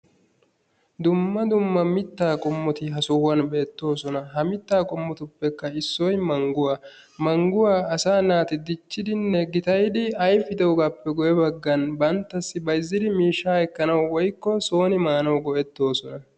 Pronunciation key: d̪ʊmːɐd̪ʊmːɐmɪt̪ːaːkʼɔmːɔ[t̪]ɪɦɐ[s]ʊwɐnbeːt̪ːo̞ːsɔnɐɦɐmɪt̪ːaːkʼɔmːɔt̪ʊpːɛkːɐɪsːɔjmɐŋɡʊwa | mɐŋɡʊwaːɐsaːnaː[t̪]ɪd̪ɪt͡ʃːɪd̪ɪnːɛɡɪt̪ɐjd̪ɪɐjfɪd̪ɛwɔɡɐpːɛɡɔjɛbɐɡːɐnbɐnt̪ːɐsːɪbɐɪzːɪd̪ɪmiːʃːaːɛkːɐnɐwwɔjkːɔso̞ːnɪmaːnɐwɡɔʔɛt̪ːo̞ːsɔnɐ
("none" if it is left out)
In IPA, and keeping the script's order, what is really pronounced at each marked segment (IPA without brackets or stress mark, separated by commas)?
t̪, s, t̪